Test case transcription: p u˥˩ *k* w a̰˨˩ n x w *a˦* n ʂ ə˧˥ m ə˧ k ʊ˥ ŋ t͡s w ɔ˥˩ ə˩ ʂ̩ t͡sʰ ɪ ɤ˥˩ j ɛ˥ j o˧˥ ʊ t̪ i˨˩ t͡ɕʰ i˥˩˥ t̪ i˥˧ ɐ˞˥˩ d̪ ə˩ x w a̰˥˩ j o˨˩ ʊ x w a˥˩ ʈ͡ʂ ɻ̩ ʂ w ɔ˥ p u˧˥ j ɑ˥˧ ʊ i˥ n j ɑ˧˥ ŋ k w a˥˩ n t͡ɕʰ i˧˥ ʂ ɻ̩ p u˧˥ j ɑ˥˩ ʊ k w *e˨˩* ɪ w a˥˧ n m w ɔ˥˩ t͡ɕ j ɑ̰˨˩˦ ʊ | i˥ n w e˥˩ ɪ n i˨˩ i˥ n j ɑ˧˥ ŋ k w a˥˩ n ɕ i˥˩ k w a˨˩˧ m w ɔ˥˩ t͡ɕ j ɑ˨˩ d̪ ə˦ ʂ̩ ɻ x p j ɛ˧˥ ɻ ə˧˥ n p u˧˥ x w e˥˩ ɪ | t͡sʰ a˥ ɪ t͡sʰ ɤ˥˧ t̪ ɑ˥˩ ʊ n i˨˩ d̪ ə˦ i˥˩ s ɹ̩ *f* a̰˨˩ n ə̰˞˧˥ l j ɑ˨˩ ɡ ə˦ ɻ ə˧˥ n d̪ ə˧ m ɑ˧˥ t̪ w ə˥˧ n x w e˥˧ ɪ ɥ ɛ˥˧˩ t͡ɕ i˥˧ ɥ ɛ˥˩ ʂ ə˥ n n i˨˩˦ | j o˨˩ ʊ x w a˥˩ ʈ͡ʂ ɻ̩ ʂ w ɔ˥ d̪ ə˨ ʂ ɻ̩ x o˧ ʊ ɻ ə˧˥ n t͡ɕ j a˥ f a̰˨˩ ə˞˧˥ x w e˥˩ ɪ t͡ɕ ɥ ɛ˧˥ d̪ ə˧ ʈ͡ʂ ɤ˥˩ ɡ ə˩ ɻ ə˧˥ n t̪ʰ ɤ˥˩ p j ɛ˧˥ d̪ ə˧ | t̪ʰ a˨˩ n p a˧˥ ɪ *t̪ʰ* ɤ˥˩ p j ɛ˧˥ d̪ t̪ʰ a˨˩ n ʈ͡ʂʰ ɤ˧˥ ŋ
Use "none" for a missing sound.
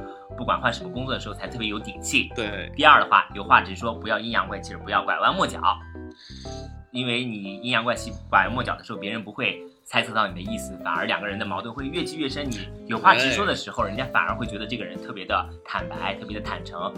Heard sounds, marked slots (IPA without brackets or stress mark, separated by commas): k, a˥˩, a˨˩, f, t̪ʰ